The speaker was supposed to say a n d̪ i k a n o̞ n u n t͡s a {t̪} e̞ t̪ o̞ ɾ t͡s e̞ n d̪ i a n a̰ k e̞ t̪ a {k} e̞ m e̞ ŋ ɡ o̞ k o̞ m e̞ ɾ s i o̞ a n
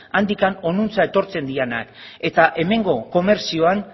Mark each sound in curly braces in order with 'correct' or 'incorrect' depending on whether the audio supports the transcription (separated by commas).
incorrect, incorrect